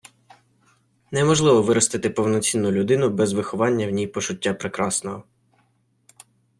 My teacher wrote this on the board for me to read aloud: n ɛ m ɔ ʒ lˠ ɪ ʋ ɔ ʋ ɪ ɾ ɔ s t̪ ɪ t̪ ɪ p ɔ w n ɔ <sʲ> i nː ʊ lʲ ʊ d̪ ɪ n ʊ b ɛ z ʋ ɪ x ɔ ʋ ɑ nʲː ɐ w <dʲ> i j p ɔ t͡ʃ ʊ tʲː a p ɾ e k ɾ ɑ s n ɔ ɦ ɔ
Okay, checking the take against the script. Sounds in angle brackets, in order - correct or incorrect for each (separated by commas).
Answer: incorrect, incorrect